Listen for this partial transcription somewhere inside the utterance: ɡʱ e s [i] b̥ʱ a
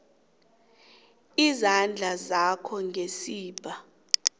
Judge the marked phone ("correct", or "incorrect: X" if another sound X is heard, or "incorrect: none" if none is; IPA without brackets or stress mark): incorrect: iː